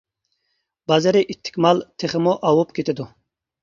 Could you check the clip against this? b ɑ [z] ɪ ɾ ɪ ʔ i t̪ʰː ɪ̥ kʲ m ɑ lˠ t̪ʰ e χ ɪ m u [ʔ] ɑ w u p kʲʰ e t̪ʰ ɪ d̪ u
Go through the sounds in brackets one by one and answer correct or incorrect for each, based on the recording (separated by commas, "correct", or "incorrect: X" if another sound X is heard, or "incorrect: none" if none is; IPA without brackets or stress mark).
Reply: correct, correct